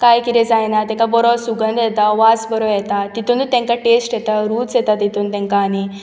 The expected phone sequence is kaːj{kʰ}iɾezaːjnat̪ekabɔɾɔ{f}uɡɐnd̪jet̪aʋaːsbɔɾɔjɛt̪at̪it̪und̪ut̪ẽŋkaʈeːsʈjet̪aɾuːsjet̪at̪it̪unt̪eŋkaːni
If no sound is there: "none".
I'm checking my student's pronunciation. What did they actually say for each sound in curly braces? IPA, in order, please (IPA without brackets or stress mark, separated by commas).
k, s